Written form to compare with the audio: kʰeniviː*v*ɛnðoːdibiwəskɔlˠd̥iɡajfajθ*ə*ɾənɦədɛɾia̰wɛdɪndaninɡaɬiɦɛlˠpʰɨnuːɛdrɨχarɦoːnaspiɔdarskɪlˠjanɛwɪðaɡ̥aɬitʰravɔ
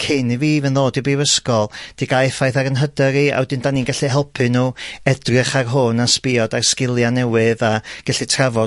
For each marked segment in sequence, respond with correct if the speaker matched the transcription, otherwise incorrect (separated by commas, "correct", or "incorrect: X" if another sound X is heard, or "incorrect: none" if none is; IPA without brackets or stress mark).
correct, incorrect: a